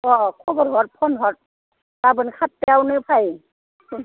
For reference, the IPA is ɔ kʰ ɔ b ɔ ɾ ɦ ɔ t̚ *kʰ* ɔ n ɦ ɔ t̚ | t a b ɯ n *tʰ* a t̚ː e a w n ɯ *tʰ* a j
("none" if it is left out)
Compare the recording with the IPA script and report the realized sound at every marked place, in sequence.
pʰ, kʰ, pʰ

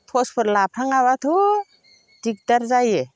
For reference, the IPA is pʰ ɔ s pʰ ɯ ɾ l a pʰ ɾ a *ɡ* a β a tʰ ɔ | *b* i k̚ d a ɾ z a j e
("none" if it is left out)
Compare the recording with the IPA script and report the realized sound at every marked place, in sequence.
ŋ, d

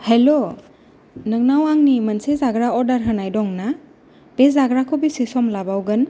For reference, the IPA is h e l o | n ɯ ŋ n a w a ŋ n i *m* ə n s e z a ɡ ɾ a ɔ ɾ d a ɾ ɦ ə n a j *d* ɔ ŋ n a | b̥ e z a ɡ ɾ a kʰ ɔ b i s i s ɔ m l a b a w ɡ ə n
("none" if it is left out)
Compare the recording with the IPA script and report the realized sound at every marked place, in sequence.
m, d

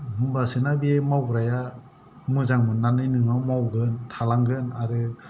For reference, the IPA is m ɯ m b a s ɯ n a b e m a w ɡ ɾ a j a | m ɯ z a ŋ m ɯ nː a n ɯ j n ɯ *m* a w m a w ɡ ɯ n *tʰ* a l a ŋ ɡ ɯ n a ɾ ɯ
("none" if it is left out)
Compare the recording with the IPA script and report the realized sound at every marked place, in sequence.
ŋ, tʰ

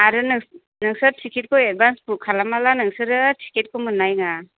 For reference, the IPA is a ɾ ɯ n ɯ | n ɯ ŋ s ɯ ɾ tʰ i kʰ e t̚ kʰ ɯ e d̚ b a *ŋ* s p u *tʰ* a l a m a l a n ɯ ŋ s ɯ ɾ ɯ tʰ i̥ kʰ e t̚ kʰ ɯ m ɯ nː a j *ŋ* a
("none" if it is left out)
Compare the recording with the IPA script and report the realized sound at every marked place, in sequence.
n, kʰ, ŋ

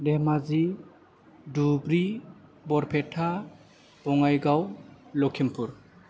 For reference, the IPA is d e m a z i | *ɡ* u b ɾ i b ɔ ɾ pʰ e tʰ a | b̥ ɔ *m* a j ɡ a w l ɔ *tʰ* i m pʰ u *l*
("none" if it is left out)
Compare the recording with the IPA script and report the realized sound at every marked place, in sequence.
d, ŋ, kʰ, ɾ

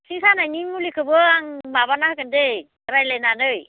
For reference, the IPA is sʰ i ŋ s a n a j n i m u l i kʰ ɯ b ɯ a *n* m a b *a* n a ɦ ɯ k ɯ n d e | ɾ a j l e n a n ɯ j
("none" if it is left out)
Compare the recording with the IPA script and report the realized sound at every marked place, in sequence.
ŋ, a

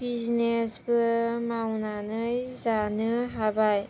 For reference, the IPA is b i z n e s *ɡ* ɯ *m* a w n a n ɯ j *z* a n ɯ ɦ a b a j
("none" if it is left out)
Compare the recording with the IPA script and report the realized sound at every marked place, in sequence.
b, m, z

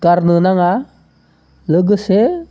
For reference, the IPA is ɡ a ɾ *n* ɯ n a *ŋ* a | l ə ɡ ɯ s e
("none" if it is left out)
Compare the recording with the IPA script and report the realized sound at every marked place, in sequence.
n, ŋ

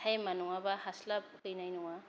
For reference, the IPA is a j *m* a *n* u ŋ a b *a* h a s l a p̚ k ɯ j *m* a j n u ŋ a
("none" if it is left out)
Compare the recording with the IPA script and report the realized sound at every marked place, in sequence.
m, n, a, n

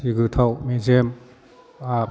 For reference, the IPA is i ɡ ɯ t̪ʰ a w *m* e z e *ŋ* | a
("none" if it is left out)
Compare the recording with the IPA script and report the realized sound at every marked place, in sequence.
m, m

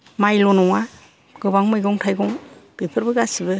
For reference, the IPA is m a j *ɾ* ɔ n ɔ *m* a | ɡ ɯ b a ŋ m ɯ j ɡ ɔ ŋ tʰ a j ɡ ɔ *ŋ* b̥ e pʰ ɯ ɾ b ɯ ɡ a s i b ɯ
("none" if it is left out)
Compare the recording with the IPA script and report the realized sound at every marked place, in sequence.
l, ŋ, ŋ

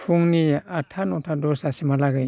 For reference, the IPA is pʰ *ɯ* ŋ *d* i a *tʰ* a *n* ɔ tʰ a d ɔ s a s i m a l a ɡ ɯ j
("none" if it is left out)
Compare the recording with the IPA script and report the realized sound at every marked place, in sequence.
u, n, tʰ, n

